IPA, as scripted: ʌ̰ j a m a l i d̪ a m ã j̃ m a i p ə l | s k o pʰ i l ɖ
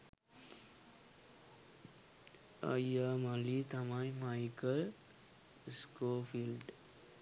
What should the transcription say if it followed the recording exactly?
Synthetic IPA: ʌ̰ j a m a l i t̪ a m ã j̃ m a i k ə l | s k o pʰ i l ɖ